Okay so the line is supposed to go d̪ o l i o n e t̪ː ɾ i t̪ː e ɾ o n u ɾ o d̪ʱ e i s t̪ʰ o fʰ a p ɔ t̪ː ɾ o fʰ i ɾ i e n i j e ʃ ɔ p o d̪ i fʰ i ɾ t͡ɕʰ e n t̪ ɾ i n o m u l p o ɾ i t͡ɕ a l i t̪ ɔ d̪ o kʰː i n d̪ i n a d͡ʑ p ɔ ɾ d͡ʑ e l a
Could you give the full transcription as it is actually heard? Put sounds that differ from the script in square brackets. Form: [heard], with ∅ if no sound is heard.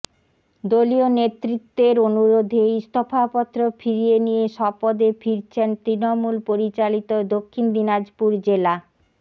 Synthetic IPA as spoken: d̪ o l i o n e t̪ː ɾ i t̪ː e ɾ o n u ɾ o d̪ʱ e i s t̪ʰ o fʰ a p ɔ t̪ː ɾ o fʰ i ɾ i e n i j e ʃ ɔ p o d̪ [e] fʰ i ɾ t͡ɕʰ e n t̪ ɾ i n o m u l p o ɾ i t͡ɕ a l i t̪ [o] d̪ o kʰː i n d̪ i n a d͡ʑ p [u] ɾ d͡ʑ e l a